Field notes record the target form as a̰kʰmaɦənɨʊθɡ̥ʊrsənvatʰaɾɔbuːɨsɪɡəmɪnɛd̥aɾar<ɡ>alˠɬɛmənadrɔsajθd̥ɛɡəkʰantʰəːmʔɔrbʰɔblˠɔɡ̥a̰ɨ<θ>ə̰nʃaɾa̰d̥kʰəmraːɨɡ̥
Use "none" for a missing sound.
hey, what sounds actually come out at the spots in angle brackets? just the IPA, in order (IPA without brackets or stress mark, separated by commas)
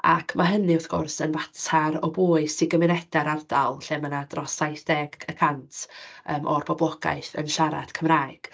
d, θ